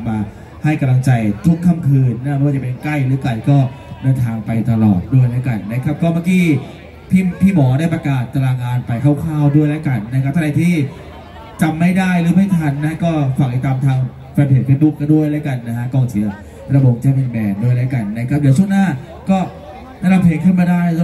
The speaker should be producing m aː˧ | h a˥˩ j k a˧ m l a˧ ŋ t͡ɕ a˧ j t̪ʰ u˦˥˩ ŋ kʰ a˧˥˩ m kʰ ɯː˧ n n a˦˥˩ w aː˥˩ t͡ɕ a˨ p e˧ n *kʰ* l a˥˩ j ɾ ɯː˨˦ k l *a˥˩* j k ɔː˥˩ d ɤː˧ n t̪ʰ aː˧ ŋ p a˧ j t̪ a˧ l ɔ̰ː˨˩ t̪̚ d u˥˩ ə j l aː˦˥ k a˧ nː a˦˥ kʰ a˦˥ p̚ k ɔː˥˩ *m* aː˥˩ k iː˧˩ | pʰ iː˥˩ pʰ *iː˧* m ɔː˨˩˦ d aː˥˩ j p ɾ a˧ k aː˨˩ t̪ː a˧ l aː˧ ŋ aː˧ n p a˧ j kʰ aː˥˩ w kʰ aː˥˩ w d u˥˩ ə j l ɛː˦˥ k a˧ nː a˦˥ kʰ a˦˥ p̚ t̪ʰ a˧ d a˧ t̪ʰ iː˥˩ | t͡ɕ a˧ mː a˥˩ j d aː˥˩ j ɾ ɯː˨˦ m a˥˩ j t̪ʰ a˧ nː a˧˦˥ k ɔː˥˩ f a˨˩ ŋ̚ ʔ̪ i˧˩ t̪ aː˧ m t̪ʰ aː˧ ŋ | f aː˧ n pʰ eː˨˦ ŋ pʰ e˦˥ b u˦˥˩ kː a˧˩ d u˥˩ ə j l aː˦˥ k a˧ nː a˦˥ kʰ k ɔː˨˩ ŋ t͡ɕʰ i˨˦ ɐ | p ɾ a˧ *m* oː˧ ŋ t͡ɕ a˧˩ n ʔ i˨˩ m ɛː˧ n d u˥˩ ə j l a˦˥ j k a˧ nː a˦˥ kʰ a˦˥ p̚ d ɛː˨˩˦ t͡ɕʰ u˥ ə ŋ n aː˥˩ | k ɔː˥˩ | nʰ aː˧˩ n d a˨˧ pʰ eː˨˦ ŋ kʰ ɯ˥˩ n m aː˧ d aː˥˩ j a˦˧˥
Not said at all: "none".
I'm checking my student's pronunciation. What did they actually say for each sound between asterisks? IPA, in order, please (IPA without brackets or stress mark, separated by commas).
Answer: k, a˨˩, m, iː˥˩, b